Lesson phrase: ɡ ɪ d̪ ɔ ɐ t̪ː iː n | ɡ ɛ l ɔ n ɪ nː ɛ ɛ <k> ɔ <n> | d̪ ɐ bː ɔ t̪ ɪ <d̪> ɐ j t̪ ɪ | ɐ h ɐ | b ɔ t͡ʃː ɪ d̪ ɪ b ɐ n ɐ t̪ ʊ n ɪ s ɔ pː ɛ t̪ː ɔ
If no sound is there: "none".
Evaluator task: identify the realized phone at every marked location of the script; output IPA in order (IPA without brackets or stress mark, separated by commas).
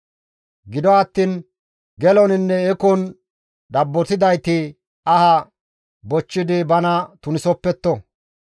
k, n, d̪